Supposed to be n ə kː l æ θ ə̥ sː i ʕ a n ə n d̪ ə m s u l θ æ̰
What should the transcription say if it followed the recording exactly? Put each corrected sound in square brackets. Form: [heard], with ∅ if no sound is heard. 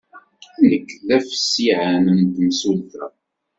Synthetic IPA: n ə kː l æ [f] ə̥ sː i ʕ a n ə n [t̪] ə m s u l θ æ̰